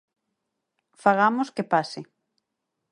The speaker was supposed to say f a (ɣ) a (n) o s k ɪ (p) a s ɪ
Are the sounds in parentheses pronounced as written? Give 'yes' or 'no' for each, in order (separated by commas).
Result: yes, no, yes